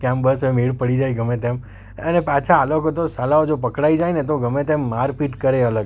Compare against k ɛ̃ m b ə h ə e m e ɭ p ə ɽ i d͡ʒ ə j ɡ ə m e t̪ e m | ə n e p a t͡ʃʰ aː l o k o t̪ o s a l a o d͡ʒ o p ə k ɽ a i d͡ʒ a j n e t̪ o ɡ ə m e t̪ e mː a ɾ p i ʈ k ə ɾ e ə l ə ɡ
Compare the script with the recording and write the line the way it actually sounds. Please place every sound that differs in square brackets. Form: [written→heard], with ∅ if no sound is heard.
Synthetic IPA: k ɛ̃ m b ə [h→s] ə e m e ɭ p ə ɽ i d͡ʒ [ə→a] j ɡ ə m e t̪ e m | ə n e p a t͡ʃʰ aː l o k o t̪ o s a l a o d͡ʒ o p ə k ɽ a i d͡ʒ a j n e t̪ o ɡ ə m e t̪ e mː a ɾ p i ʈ k ə ɾ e ə l ə ɡ